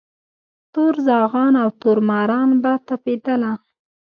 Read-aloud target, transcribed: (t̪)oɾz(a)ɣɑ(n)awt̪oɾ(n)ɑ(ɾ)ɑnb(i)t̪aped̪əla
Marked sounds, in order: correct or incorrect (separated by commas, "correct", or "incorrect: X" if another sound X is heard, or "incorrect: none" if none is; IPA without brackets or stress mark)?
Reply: correct, incorrect: ɑ, correct, incorrect: m, correct, incorrect: a